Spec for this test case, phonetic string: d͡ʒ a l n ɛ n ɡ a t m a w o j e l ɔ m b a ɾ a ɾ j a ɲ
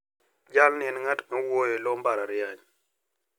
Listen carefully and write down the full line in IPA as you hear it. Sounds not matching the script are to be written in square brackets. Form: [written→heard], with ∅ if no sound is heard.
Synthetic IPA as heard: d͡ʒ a l n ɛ n [ɡ→ŋ] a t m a w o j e l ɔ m b a ɾ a ɾ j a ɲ